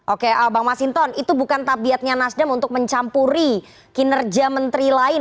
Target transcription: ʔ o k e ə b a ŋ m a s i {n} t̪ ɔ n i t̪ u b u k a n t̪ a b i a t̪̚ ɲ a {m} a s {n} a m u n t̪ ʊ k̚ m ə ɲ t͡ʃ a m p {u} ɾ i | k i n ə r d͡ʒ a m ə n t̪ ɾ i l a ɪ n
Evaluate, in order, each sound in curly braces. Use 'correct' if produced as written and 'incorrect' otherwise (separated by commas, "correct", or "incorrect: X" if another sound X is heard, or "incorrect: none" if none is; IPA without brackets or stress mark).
correct, incorrect: n, incorrect: d, correct